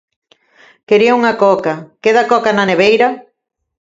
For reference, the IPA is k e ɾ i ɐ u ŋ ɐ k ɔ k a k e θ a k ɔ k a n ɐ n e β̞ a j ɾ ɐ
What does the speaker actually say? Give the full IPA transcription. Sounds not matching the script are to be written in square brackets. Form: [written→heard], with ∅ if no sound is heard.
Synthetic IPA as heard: k e ɾ i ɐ u ŋ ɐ k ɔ k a k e [θ→ð] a k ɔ k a n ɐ n e β̞ [a→e] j ɾ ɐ